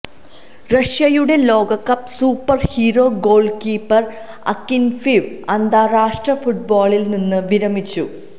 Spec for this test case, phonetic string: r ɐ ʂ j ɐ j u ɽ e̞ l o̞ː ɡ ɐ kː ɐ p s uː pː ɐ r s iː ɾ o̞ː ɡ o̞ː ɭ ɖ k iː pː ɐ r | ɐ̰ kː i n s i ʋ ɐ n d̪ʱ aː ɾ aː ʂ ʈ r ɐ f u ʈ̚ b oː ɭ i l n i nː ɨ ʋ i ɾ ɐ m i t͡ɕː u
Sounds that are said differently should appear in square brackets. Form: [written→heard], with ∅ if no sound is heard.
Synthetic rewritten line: r ɐ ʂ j ɐ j u ɽ e̞ l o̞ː ɡ ɐ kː ɐ p s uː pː ɐ r [s→h] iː ɾ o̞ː ɡ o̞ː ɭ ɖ k iː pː ɐ r | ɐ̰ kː i n [s→f] i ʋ ɐ n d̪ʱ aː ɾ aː ʂ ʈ r ɐ f u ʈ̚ b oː ɭ i l n i nː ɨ ʋ i ɾ ɐ m i t͡ɕː u